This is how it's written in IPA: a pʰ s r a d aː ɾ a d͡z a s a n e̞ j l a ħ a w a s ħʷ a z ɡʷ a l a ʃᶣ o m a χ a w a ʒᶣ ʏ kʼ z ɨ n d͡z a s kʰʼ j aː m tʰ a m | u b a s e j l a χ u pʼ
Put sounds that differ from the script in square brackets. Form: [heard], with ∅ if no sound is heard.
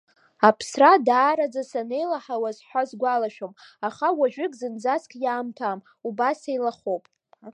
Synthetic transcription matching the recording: a pʰ s r a d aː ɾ a d͡z a s a n e̞ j l a ħ a w a [z] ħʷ a z ɡʷ a l a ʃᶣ o m a χ a w a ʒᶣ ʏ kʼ z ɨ n d͡z a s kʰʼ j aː m tʰ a m | u b a s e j l a χ [o] pʼ